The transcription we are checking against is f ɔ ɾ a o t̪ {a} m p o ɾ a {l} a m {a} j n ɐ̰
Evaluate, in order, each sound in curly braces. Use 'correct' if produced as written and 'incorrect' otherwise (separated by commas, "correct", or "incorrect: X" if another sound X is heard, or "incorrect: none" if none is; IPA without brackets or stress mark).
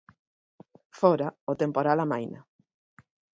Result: incorrect: e, correct, correct